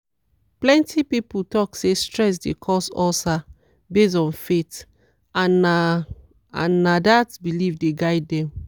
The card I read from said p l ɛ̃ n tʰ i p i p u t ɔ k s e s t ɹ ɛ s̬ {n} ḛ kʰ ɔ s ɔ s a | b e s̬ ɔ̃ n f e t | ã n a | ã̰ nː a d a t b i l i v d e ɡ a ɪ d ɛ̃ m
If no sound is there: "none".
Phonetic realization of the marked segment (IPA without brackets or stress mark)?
d